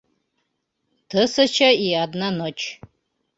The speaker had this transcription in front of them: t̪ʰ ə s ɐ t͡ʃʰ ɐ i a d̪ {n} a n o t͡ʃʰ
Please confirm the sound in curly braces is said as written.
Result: yes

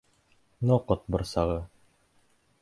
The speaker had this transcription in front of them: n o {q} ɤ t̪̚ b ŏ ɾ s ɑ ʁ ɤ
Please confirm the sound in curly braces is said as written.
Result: yes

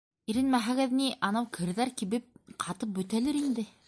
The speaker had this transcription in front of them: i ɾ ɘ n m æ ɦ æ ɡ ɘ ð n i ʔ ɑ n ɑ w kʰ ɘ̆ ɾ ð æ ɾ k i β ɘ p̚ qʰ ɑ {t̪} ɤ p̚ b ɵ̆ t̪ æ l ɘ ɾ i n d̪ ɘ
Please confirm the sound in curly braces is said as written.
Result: yes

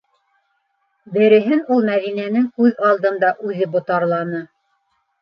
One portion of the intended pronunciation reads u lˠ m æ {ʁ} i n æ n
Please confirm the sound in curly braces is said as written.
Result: no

